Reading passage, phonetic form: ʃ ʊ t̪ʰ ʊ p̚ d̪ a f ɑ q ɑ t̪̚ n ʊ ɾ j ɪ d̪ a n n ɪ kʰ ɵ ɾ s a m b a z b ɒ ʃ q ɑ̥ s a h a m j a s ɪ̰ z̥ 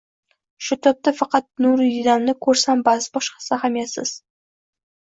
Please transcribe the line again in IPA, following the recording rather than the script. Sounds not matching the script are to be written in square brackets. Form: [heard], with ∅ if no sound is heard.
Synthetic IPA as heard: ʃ ʊ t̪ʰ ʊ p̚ [t̪] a f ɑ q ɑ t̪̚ n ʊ ɾ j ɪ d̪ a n n ɪ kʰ ɵ ɾ s a m b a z b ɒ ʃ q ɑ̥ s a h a m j a s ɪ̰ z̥